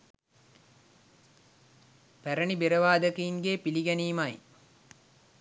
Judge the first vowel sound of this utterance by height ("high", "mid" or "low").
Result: low